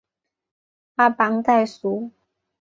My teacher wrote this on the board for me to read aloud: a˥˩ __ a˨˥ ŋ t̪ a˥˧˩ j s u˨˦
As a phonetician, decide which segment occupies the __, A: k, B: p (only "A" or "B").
B